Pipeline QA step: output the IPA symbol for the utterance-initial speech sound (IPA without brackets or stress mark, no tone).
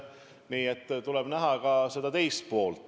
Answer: n